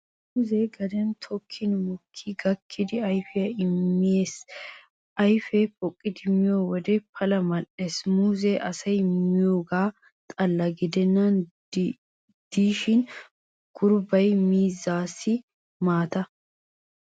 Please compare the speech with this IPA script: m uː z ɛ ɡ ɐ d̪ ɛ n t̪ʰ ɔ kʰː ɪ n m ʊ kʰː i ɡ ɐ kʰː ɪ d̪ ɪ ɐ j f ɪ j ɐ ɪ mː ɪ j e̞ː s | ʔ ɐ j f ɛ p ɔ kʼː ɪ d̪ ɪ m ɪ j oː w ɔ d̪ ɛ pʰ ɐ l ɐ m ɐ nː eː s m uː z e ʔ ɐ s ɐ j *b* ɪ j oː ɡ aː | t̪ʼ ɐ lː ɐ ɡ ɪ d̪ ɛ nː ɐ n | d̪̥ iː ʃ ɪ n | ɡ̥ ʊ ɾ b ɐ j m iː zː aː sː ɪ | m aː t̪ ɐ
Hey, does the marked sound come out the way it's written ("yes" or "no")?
no